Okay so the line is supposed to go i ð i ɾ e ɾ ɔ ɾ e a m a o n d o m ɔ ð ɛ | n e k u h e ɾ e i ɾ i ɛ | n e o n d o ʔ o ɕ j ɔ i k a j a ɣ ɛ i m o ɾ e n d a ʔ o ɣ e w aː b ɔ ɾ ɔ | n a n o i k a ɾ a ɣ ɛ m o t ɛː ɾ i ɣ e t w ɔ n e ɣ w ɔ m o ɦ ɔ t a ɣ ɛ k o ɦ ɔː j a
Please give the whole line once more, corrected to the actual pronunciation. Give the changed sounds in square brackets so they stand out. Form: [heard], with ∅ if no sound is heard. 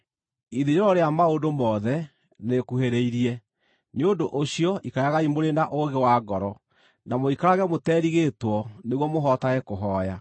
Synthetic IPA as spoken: i ð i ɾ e ɾ ɔ ɾ e a m a o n d o m ɔ ð ɛ | n e k u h e ɾ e i ɾ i ɛ | n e o n d o ʔ o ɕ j ɔ i k a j a ɣ [a] i m o ɾ e n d a ʔ o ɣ e w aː [ɡ] ɔ ɾ ɔ | n a [m] o i k a ɾ a ɣ ɛ m o t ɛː ɾ i ɣ e t w ɔ n e ɣ w ɔ m o ɦ ɔ t a ɣ ɛ k o ɦ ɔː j a